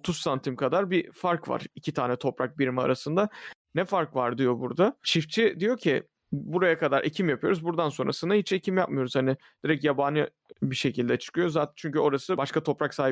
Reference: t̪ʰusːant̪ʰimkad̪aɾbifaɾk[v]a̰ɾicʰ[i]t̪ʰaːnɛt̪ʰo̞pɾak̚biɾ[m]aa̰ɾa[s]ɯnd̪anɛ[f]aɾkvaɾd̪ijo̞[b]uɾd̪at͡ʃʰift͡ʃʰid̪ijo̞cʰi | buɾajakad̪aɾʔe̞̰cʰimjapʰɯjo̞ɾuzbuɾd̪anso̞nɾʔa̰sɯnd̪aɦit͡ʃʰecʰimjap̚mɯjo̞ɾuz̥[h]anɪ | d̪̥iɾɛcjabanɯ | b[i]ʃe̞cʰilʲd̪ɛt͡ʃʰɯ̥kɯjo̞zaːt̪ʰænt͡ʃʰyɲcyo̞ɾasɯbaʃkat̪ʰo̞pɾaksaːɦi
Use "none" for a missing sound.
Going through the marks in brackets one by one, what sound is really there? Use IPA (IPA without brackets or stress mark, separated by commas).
v, i, m, s, f, b, h, i